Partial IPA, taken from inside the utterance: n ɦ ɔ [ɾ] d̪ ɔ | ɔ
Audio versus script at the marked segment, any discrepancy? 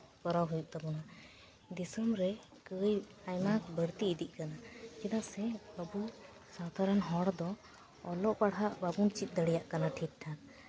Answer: yes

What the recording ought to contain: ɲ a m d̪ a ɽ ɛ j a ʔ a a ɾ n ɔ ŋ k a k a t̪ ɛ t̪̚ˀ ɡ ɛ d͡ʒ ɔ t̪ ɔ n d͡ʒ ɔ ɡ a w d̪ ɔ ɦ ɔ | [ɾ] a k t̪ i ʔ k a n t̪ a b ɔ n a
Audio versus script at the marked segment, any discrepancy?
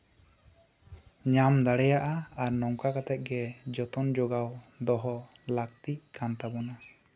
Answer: yes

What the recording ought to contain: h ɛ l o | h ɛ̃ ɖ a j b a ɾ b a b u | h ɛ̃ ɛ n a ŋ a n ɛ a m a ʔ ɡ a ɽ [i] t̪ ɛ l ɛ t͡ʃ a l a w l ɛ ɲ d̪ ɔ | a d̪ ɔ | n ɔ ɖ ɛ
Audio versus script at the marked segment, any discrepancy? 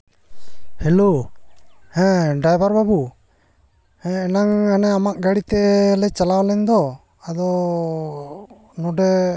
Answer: no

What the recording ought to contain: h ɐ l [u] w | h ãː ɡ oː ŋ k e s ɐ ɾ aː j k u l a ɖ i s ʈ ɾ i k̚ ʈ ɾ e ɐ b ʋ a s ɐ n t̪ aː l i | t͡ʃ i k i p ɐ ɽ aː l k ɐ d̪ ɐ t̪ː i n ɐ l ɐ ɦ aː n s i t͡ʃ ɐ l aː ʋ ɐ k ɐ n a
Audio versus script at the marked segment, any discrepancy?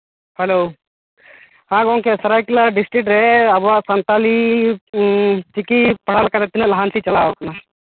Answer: yes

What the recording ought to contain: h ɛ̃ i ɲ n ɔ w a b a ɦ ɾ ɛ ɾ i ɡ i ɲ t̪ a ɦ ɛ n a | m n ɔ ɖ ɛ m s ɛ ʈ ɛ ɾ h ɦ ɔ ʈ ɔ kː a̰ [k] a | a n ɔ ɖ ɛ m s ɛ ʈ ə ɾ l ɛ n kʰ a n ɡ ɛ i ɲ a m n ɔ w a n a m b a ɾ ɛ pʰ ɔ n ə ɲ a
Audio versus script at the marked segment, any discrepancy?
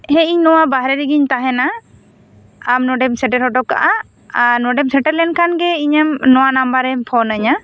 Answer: yes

